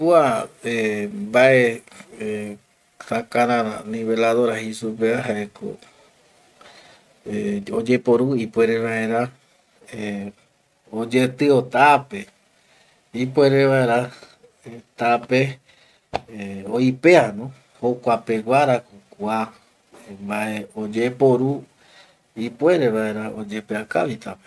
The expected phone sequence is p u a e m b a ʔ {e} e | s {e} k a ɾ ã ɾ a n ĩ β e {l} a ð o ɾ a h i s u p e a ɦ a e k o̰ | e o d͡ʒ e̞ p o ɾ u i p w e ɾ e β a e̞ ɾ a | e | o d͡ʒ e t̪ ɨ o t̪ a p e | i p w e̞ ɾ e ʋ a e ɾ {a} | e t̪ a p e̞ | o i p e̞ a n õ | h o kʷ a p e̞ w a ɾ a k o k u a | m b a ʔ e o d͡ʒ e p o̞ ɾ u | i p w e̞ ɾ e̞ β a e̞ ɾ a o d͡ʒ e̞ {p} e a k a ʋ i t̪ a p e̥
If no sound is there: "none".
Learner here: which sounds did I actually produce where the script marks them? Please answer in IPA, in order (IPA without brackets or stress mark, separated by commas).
e, a, l, a, p